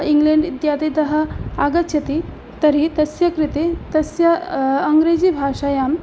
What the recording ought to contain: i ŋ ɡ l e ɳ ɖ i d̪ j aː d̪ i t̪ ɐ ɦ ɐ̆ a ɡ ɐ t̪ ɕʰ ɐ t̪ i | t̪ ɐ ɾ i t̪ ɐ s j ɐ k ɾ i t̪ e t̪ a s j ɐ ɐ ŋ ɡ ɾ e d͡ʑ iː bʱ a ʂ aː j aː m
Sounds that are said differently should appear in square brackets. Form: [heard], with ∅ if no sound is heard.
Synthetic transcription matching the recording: i ŋ ɡ l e ɳ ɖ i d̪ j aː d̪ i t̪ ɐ ɦ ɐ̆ a ɡ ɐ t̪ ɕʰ ɐ t̪ i | t̪ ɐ ɾ i t̪ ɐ s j ɐ k ɾ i t̪ e t̪ [ɐ] s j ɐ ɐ ŋ ɡ ɾ e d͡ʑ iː bʱ a ʂ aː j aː m